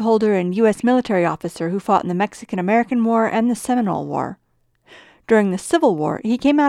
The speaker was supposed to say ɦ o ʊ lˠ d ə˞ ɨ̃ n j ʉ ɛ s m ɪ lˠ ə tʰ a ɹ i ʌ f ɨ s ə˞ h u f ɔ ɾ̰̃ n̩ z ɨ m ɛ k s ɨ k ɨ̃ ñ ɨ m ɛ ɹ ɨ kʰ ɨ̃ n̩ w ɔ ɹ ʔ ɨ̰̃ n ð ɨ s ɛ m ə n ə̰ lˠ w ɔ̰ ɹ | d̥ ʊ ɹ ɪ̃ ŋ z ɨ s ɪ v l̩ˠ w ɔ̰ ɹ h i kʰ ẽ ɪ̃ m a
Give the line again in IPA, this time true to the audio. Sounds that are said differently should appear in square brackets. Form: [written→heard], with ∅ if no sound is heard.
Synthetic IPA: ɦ o ʊ lˠ d ə˞ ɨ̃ n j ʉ ɛ s m ɪ lˠ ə tʰ [a→ɛ] ɹ i [ʌ→ɔ] f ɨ s ə˞ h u f ɔ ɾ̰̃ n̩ [z→ð] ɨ m ɛ k s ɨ k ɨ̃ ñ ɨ m ɛ ɹ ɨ [kʰ→k] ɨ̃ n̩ w ɔ ɹ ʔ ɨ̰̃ n ð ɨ s ɛ m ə n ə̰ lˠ w ɔ̰ ɹ | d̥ ʊ ɹ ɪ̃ ŋ [z→ð] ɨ s ɪ v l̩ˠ w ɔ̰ ɹ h i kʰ ẽ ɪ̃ m a